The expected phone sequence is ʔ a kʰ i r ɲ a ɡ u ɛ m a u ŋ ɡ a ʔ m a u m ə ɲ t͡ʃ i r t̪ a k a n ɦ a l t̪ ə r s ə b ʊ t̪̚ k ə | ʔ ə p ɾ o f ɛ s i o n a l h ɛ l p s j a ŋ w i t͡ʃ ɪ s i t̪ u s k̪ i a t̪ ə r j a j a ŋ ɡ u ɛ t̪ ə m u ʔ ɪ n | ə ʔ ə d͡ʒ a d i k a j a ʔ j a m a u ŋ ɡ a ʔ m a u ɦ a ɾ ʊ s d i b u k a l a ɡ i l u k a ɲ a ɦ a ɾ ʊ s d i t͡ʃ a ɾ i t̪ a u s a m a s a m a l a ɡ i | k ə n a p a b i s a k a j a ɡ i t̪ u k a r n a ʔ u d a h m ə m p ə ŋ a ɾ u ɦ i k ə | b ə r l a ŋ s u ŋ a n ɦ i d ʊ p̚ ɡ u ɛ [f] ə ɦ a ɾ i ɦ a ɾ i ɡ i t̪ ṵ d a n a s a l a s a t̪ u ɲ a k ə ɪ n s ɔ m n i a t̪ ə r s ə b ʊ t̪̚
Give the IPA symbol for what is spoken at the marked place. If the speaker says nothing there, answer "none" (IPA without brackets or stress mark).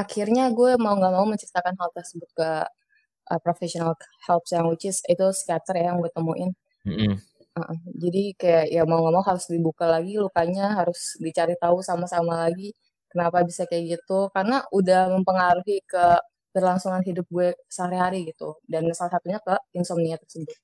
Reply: s